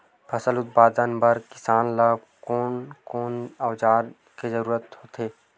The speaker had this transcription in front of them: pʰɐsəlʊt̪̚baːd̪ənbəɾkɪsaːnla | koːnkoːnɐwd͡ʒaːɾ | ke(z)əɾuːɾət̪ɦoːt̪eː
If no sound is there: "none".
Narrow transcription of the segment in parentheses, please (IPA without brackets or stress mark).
z